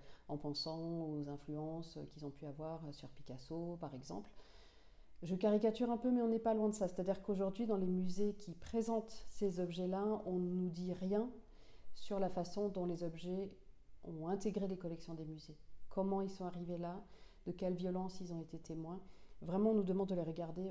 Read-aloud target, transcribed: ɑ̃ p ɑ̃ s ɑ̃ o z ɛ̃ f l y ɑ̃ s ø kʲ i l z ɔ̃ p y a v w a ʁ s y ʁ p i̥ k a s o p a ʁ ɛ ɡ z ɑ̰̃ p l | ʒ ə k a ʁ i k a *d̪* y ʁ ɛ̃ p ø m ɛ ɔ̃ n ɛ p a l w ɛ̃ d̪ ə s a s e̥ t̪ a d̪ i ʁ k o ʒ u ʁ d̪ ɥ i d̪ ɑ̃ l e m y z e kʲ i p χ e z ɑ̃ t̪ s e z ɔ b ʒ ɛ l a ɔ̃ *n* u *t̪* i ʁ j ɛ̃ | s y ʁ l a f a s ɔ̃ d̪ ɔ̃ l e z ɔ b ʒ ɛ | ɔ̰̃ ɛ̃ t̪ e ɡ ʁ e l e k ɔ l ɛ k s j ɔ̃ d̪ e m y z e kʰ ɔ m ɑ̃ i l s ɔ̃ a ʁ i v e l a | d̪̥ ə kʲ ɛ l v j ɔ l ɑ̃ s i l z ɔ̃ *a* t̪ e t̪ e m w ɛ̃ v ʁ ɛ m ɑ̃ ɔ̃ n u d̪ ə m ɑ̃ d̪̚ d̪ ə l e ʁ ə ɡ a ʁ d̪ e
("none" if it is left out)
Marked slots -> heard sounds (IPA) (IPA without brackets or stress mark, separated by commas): t̪, n, d̪, e